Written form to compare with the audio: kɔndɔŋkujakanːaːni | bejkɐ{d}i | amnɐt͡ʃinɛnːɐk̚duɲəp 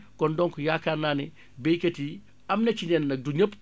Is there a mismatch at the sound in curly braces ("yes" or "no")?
yes